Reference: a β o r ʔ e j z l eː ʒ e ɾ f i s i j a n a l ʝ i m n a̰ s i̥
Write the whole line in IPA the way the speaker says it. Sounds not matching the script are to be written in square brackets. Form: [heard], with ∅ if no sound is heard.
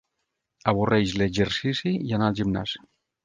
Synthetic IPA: a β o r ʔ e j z l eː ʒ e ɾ [s] i s i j a n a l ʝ i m n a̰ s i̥